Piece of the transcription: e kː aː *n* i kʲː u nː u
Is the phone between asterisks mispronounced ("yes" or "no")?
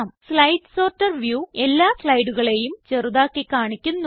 yes